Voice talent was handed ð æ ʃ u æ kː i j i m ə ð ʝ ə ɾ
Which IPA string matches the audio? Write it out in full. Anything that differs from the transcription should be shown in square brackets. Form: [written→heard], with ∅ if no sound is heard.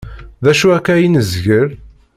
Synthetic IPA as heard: ð æ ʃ u æ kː [i→æ] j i [m→n] ə [ð→z] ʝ ə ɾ